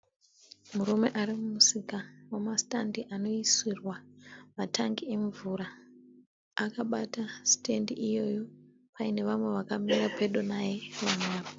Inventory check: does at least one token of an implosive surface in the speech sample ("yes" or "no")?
yes